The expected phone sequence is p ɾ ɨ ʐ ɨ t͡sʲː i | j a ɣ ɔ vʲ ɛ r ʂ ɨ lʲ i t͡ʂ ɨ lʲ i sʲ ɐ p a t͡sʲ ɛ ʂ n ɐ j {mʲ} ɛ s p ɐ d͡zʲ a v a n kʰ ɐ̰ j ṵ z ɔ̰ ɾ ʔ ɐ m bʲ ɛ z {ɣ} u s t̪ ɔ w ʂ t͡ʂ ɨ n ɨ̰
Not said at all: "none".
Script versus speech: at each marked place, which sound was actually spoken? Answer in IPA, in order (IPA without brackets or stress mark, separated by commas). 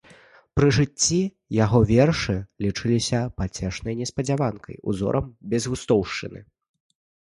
nʲ, ɣ